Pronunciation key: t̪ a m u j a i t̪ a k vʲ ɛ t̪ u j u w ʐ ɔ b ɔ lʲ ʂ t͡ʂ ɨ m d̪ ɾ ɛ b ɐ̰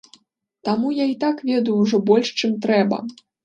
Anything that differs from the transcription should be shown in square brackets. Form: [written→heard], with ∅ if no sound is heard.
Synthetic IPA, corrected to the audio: t̪ a m u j a i t̪ a k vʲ ɛ [t̪→d̪] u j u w ʐ ɔ b ɔ lʲ ʂ t͡ʂ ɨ m [d̪→t̪] ɾ ɛ b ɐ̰